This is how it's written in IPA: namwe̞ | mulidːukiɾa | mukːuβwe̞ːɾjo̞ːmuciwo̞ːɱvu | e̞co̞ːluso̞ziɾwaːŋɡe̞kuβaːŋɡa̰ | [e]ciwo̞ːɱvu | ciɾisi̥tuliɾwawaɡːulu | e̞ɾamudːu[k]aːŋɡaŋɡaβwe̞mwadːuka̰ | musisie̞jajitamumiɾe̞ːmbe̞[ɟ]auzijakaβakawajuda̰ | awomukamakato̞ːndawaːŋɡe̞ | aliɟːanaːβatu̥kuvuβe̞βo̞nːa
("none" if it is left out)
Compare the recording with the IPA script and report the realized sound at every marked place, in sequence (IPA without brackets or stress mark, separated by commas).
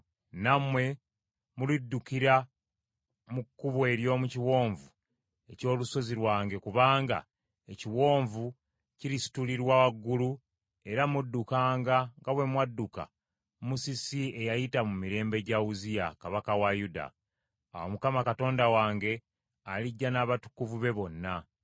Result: e, k, ɟ